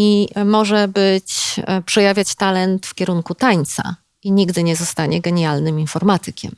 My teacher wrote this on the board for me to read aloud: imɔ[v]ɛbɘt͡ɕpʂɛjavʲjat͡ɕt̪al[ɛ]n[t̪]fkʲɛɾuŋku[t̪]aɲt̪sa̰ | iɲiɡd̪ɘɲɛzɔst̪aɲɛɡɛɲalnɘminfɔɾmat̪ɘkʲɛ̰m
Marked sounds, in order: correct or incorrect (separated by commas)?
incorrect, correct, correct, correct